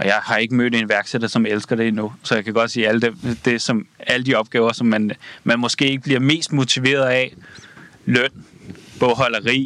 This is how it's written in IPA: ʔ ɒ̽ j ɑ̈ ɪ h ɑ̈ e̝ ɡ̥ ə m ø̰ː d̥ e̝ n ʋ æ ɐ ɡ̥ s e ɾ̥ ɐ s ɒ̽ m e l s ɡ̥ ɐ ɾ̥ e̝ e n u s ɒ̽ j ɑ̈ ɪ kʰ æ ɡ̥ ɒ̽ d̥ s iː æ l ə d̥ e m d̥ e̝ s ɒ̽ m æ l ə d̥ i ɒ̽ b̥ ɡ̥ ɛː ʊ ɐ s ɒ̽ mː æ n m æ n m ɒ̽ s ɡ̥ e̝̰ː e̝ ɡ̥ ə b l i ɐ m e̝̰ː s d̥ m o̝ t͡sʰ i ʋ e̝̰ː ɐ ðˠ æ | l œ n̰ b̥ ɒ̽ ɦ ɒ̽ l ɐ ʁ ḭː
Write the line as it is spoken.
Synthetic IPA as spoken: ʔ ɒ̽ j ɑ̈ ɪ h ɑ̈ e̝ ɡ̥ ə m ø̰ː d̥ e̝ n ʋ æ ɐ ɡ̥ s e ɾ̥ ɐ s ɒ̽ m e l s ɡ̥ ɐ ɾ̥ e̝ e n u s ɒ̽ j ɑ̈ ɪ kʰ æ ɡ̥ ɒ̽ d̥ s iː æ l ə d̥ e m d̥ e̝ s ɒ̽ m æ l ə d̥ i ɒ̽ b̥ ɡ̥ ɛː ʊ ɐ s ɒ̽ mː æ n m æ n m ɒ̽ s ɡ̥ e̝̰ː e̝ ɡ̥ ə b l i ɐ m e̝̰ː s d̥ m o̝ t͡sʰ i ʋ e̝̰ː ɐ ðˠ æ | l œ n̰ b̥ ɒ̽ ɦ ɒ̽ l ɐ ʁ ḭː